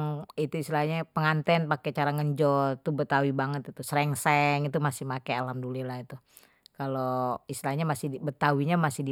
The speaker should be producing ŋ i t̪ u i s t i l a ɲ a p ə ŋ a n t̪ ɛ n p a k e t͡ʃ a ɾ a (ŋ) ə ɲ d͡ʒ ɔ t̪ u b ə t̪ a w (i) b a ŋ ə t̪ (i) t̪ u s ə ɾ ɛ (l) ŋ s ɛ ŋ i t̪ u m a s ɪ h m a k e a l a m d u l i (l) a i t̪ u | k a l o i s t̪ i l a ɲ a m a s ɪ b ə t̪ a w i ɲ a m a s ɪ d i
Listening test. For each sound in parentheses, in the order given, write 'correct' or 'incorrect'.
correct, correct, correct, incorrect, correct

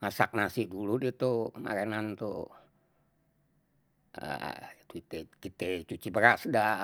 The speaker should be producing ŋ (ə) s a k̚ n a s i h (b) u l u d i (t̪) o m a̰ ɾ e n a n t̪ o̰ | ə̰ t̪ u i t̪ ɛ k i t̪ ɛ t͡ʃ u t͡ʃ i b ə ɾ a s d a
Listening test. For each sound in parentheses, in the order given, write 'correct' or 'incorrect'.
incorrect, incorrect, correct

